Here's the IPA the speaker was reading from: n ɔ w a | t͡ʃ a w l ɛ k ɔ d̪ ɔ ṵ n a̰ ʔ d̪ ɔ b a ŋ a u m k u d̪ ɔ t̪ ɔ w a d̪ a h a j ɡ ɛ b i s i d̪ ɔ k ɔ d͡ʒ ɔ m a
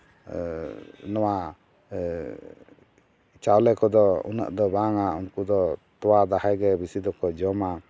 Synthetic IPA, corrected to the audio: n ɔ w a | t͡ʃ a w l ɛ k ɔ d̪ ɔ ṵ n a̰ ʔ d̪ ɔ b a ŋ a u n k u d̪ ɔ t̪ ɔ w a d̪ a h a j ɡ ɛ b i s i d̪ ɔ k ɔ d͡ʒ ɔ m a

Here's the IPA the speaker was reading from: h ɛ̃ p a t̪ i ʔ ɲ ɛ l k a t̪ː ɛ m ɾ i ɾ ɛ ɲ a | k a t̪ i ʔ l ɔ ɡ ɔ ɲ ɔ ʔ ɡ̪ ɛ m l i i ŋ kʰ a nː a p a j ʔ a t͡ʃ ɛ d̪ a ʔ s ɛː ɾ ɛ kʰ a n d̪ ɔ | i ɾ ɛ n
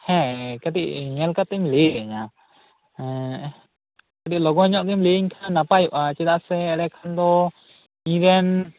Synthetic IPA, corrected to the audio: h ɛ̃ k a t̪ i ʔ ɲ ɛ l k a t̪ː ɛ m l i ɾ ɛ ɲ a | k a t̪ i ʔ l ɔ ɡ ɔ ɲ ɔ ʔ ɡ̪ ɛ m l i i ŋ kʰ a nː a p a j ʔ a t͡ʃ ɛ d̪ a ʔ s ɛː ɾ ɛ kʰ a n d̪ ɔ | i ɾ ɛ n

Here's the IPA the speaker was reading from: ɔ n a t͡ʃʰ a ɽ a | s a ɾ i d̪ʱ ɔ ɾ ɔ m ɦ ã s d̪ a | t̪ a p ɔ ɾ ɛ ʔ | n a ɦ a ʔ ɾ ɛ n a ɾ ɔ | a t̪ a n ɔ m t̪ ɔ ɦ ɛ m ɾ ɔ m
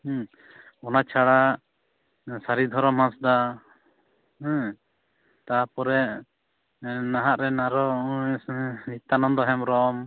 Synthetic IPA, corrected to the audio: ɔ n a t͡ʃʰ a ɽ a | s a ɾ i d̪ʱ ɔ ɾ ɔ m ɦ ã s d̪ a | t̪ a p ɔ ɾ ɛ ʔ | n a ɦ a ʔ ɾ ɛ n a ɾ ɔ | i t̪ a n ɔ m d̪ ɔ ɦ ɛ m ɾ ɔ m

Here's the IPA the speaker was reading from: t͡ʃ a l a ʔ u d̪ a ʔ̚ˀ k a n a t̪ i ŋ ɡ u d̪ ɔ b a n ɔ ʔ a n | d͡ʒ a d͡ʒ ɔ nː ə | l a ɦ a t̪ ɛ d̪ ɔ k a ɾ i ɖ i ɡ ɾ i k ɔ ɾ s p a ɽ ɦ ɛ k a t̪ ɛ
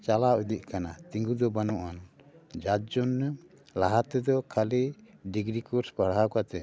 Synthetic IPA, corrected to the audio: t͡ʃ a l a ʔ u d̪ i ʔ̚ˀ k a n a t̪ i ŋ ɡ u d̪ ɔ b a n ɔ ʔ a n | d͡ʒ a d͡ʒ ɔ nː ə | l a ɦ a t̪ ɛ d̪ ɔ kʰ a l i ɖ i ɡ ɾ i k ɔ ɾ s p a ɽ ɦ a k a t̪ ɛ

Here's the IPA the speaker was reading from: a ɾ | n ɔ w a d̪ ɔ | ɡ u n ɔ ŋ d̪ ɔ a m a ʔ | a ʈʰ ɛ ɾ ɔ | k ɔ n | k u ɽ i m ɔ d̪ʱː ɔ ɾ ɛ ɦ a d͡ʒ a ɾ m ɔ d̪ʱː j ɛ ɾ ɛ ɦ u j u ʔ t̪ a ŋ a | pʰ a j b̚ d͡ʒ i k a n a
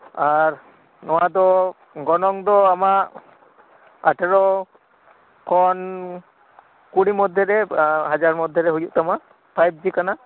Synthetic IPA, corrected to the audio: a ɾ | n ɔ w a d̪ ɔ | ɡ ɔ n ɔ ŋ d̪ ɔ a m a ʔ | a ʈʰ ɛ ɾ ɔ | k ɔ n | k u ɽ i m ɔ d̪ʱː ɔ ɾ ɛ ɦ a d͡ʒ a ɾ m ɔ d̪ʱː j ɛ ɾ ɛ ɦ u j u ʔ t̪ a m a | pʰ a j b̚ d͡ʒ i k a n a

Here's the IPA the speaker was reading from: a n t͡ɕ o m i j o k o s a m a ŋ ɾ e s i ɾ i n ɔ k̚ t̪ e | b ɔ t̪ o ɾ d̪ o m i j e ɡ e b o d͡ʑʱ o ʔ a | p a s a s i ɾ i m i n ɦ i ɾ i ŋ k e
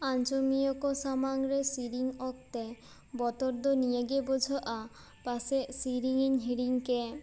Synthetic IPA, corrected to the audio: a n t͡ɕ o m i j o k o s a m a ŋ ɾ e s i ɾ i ŋ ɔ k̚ t̪ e | b ɔ t̪ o ɾ d̪ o n i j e ɡ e b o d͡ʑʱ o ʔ a | p a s e s i ɾ i ŋ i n ɦ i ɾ i ŋ k e

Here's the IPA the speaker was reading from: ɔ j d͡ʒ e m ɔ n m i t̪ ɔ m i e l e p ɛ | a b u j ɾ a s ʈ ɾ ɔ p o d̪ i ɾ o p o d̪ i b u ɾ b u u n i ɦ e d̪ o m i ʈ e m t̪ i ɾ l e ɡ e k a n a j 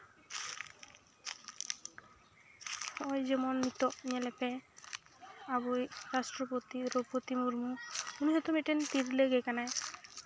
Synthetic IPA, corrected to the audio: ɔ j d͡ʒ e m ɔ n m i t̪ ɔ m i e l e p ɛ | a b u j ɾ a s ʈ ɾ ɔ p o t̪ i ɾ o p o t̪ i m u ɾ m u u n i ɦ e t̪ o m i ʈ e n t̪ i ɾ l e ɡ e k a n a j

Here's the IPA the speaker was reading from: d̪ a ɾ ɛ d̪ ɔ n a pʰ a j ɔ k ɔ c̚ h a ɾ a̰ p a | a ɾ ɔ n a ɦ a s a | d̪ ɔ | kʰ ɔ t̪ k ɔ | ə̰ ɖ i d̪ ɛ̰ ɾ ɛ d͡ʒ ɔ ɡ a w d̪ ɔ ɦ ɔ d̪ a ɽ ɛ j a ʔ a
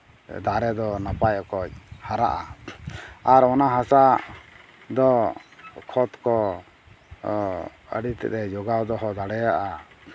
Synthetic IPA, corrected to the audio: d̪ a ɾ ɛ d̪ ɔ n a p a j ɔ k ɔ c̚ h a ɾ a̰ ʔ a | a ɾ ɔ n a ɦ a s a | d̪ ɔ | kʰ ɔ t̪ k ɔ | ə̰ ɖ i t̪ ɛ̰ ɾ ɛ d͡ʒ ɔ ɡ a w d̪ ɔ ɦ ɔ d̪ a ɽ ɛ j a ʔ a

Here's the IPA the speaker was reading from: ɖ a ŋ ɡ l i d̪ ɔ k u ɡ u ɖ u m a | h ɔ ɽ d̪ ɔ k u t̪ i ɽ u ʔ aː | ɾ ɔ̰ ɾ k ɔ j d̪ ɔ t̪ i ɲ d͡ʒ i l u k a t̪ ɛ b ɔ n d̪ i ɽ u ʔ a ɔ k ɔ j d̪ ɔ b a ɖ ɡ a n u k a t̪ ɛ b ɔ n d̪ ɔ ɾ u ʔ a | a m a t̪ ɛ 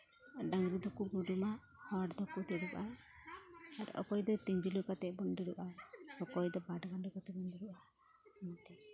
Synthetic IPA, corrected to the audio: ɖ a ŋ ɡ ɾ i d̪ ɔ k u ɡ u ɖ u m a | h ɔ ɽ d̪ ɔ k u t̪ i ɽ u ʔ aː | ɾ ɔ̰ k ɔ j d̪ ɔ t̪ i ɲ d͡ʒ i l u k a t̪ ɛ b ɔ n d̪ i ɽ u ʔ a ɔ k ɔ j d̪ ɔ b a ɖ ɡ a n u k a t̪ ɛ b ɔ n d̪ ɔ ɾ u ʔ a | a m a t̪ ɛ

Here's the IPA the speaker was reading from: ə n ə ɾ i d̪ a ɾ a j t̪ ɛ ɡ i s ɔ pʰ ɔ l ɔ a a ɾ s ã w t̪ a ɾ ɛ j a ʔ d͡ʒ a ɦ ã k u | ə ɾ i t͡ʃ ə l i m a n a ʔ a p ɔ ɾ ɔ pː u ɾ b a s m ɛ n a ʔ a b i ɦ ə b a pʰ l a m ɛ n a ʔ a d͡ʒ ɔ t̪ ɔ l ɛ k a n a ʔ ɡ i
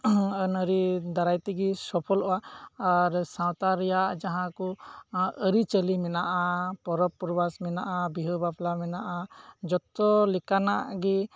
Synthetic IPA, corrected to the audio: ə n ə ɾ i d̪ a ɾ a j t̪ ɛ ɡ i s ɔ pʰ ɔ l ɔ a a ɾ s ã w t̪ a ɾ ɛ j a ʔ d͡ʒ a ɦ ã k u | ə ɾ i t͡ʃ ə l i m ɛ n a ʔ a p ɔ ɾ ɔ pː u ɾ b a s m ɛ n a ʔ a b i ɦ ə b a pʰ l a m ɛ n a ʔ a d͡ʒ ɔ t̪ ɔ l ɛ k a n a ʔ ɡ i

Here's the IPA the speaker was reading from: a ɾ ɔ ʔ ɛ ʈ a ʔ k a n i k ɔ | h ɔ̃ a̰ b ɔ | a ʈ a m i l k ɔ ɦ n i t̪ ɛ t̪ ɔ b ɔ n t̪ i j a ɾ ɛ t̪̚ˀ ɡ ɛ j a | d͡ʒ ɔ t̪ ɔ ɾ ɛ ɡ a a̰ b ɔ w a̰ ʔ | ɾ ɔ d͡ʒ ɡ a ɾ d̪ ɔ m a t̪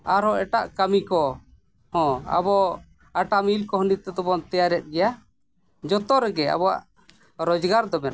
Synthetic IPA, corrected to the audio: a ɾ ɔ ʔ ɛ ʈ a ʔ k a m i k ɔ | h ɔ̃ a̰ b ɔ | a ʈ a m i l k ɔ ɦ n i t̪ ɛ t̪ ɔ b ɔ n t̪ ɛ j a ɾ ɛ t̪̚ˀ ɡ ɛ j a | d͡ʒ ɔ t̪ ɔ ɾ ɛ ɡ ɛ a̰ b ɔ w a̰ ʔ | ɾ ɔ d͡ʒ ɡ a ɾ d̪ ɔ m ɛ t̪

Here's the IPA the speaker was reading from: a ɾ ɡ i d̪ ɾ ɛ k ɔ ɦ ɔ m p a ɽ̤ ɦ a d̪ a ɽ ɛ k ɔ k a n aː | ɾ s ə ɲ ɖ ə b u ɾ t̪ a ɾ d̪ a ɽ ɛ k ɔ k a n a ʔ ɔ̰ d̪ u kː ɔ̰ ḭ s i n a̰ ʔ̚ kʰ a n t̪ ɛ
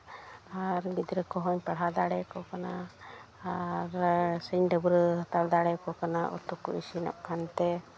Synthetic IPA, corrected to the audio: a ɾ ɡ i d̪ ɾ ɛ k ɔ ɦ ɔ ɲ p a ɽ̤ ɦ a d̪ a ɽ ɛ k ɔ k a n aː | ɾ s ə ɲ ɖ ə b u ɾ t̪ a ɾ d̪ a ɽ ɛ k ɔ k a n a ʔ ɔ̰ t̪ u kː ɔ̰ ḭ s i n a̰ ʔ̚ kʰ a n t̪ ɛ

